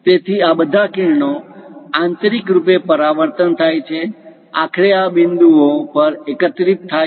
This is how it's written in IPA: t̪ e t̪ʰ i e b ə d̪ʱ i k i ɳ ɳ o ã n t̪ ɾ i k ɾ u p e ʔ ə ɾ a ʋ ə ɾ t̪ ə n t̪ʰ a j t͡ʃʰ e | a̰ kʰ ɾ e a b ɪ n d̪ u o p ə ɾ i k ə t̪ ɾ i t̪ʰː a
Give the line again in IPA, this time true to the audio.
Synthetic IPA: t̪ e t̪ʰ i a b ə d̪ʱ a k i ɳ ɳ o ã n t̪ ɾ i k ɾ u p e p ə ɾ a ʋ ə ɾ t̪ ə n t̪ʰ a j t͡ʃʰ e | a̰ kʰ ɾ e a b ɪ n d̪ u o p ə ɾ e k ə t̪ ɾ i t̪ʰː a